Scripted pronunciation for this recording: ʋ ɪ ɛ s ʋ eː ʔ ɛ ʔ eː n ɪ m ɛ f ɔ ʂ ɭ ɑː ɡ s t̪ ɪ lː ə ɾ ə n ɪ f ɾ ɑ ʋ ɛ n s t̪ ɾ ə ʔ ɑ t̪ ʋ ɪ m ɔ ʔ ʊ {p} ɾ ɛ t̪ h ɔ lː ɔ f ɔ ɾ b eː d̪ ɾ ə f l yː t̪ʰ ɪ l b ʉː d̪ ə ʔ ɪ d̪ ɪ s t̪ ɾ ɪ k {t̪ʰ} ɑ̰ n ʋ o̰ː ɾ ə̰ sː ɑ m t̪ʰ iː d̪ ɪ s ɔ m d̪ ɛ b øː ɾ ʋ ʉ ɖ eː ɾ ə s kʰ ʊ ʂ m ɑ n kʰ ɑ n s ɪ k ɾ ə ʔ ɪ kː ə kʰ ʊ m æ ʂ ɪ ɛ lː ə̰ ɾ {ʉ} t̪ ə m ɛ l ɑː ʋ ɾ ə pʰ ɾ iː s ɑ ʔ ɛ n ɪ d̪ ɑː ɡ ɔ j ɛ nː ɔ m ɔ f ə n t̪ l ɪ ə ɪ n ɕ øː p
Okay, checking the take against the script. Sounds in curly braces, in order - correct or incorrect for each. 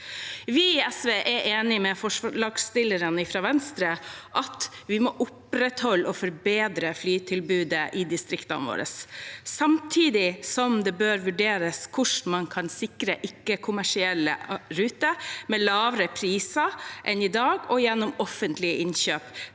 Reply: correct, incorrect, incorrect

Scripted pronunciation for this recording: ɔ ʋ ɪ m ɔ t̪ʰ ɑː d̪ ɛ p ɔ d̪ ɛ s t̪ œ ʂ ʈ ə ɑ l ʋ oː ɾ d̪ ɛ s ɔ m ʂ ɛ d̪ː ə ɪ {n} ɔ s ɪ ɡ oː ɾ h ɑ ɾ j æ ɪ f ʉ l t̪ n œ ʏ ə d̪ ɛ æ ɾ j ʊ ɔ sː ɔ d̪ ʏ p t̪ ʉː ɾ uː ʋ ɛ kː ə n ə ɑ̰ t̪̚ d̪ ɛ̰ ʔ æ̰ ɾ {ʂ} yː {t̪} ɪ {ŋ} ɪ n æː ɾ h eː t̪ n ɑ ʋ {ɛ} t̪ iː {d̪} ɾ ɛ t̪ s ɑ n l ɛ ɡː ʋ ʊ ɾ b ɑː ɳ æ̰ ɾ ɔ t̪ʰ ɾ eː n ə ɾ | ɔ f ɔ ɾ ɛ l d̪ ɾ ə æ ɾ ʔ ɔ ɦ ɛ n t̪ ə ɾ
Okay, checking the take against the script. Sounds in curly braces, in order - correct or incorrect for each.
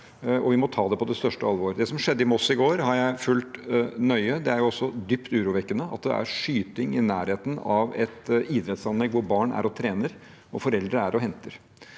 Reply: incorrect, correct, correct, correct, correct, correct

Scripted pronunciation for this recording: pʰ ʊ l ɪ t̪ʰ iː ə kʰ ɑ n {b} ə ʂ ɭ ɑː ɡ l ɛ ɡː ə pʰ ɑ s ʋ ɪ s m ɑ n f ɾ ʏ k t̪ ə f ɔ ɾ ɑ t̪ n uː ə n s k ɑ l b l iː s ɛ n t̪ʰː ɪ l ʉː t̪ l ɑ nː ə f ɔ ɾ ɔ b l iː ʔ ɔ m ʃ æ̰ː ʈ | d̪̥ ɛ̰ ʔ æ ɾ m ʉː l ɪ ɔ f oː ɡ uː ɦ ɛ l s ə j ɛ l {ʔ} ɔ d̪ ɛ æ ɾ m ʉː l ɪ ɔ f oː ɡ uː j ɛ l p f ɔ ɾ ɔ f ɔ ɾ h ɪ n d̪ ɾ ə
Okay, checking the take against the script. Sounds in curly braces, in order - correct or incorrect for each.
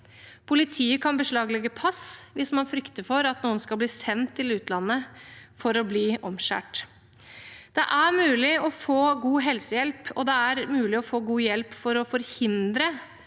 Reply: correct, incorrect

